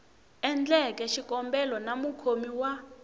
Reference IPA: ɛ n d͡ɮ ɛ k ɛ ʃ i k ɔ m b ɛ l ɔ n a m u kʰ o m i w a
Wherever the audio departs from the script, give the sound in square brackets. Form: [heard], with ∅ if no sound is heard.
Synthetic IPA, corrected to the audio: ɛ n d͡ɮ ɛ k ɛ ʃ i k ɔ m b ɛ l ɔ n a m u kʰ o m i w a